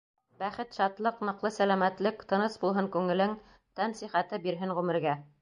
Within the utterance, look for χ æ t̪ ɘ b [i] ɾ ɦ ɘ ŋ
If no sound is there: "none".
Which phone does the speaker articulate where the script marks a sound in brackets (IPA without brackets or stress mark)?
i